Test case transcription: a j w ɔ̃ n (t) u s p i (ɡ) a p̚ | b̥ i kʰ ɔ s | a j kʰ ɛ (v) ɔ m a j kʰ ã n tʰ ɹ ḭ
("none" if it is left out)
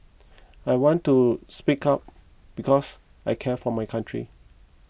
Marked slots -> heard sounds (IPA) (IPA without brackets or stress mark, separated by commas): t, k, f